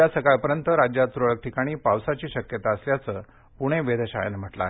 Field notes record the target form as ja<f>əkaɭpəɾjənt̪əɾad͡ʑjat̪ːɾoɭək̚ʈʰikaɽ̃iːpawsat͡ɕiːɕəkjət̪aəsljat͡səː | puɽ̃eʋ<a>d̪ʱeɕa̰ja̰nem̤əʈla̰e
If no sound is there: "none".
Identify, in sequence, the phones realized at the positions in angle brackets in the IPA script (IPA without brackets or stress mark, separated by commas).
s, e